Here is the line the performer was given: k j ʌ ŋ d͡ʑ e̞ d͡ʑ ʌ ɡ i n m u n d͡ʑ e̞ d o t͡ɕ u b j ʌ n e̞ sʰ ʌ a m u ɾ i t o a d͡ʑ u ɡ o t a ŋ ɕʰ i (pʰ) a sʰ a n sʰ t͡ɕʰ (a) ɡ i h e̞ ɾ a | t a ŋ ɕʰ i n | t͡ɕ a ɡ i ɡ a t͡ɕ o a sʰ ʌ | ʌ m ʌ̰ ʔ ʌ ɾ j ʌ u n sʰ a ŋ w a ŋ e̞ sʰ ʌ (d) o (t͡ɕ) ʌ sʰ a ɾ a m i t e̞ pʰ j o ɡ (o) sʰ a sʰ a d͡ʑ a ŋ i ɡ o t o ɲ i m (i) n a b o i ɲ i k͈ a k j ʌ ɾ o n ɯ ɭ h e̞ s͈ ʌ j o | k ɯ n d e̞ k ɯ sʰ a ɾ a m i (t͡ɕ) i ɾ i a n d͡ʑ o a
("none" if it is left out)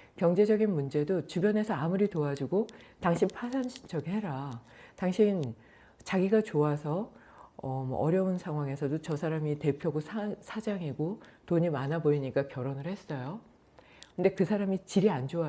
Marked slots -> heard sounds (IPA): pʰ, ʌ, d, t͡ɕ, o, a, t͡ɕ

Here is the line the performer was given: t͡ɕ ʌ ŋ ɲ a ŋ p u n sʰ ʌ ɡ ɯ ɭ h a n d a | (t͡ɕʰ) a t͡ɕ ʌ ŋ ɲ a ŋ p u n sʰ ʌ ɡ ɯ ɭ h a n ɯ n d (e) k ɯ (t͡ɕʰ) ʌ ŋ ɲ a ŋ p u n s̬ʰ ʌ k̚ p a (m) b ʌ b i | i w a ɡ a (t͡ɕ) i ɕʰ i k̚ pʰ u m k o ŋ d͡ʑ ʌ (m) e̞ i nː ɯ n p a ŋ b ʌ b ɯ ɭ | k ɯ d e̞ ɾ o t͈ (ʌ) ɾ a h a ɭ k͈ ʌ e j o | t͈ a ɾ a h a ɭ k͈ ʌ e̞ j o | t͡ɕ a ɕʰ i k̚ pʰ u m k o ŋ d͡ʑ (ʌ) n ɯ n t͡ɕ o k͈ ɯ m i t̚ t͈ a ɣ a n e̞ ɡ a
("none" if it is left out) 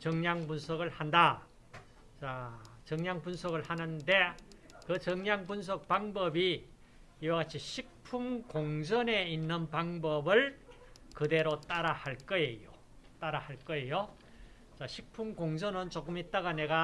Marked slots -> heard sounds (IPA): t͡ɕ, e, t͡ɕ, ŋ, t͡ɕʰ, n, a, ʌ

